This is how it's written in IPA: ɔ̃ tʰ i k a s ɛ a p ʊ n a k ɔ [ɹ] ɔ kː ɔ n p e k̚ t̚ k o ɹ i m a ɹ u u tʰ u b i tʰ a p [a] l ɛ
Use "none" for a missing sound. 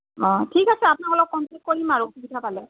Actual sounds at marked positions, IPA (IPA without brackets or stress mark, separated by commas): l, a